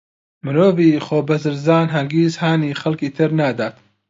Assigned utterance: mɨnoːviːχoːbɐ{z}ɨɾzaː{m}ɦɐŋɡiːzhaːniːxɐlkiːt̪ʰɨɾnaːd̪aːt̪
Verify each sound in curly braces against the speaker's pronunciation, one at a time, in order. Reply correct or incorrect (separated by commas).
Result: correct, incorrect